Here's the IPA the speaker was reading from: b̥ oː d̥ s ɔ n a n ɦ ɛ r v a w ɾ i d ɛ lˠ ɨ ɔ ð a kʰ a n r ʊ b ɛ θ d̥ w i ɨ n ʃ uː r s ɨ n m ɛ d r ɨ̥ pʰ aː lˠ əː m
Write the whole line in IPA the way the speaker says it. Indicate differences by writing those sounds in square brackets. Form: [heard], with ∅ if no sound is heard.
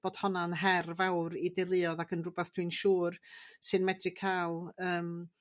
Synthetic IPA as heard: b̥ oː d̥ [h] ɔ n a n ɦ ɛ r v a w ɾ i d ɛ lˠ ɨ ɔ ð a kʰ [ə] n r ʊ b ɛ θ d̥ w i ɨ n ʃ uː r s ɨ n m ɛ d r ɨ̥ [kʰ] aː lˠ əː m